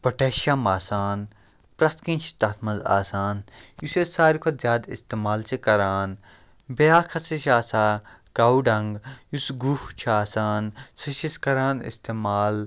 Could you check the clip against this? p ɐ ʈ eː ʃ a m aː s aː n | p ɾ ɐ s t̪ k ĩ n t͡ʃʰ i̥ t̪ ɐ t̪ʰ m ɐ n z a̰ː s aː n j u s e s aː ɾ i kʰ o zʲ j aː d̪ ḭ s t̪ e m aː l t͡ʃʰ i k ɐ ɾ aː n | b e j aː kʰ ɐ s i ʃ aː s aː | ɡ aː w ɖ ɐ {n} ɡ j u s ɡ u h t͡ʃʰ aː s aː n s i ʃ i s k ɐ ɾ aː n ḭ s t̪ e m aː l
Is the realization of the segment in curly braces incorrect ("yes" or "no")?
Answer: yes